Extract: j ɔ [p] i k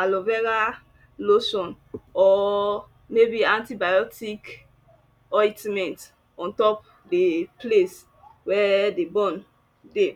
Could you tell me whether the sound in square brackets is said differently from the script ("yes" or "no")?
yes